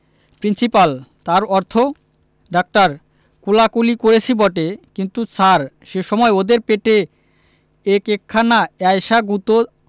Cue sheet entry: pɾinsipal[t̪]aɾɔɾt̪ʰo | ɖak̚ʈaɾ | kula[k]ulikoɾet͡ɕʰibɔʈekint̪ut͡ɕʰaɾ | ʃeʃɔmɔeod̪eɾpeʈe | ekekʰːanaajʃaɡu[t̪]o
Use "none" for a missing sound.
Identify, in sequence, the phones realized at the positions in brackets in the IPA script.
t̪, k, t̪

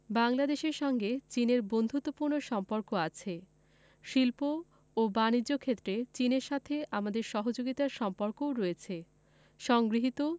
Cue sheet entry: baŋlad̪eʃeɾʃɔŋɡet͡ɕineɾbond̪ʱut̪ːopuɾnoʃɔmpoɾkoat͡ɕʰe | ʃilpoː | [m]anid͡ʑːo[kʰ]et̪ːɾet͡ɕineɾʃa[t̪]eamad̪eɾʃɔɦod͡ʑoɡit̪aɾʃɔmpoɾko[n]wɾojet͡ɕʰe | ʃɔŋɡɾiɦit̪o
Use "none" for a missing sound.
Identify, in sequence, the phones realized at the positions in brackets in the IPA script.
b, kʰ, t̪ʰ, none

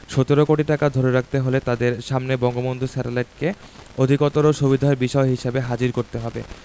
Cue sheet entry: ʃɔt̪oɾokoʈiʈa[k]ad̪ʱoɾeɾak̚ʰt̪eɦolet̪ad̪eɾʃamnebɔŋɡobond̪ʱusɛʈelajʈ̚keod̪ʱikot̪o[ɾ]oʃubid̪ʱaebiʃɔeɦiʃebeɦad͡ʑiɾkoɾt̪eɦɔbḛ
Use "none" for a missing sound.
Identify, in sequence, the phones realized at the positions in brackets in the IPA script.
k, ɾ

